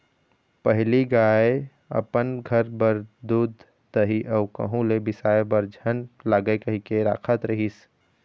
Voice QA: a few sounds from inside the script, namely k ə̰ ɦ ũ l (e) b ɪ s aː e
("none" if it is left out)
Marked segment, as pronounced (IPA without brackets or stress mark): e